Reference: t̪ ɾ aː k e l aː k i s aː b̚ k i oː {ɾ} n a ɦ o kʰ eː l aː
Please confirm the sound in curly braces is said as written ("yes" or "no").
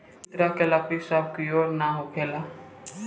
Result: yes